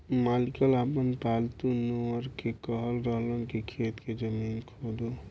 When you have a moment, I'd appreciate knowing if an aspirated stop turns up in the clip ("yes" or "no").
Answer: yes